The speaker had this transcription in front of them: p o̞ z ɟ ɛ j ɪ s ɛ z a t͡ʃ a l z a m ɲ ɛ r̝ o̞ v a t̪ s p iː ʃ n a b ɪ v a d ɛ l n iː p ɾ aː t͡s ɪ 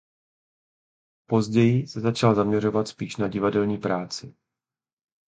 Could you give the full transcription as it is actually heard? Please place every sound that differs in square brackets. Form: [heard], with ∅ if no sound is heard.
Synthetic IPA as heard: p o̞ z ɟ ɛ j ɪ s ɛ z a t͡ʃ a l z a m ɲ ɛ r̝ o̞ v a t̪ s p iː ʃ n a [ɟ] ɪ v a d ɛ l [ɲ] iː p ɾ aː t͡s ɪ